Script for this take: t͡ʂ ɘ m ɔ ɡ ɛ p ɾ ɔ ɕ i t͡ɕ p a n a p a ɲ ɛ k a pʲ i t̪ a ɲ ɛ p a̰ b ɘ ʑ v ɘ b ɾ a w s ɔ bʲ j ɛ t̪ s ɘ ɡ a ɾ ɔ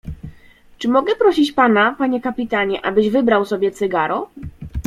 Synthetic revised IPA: t͡ʂ ɘ m ɔ ɡ ɛ p ɾ ɔ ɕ i t͡ɕ p a n a p a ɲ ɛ k a pʲ i t̪ a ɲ ɛ ʔ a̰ b ɘ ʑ v ɘ b ɾ a w s ɔ bʲ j ɛ t̪ s ɘ ɡ a ɾ ɔ